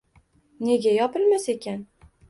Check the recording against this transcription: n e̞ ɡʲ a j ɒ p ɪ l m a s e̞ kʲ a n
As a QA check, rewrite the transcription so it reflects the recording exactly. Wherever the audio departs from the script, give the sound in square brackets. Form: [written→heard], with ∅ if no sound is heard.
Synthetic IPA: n e̞ ɡʲ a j ɒ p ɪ l m a s e̞ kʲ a n